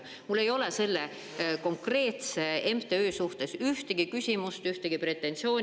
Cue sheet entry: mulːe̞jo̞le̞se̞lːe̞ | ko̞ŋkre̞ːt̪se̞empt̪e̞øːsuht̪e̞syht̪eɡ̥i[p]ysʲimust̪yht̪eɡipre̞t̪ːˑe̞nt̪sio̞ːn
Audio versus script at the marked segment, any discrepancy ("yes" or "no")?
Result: yes